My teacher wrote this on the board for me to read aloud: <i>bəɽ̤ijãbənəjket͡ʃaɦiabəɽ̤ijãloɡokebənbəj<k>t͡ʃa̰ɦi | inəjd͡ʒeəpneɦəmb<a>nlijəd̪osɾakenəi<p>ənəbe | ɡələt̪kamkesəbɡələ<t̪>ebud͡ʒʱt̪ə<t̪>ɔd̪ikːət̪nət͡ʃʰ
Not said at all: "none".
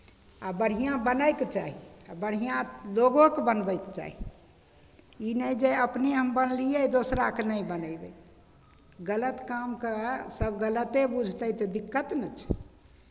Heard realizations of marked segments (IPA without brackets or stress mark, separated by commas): a, k, ə, b, t̪, t̪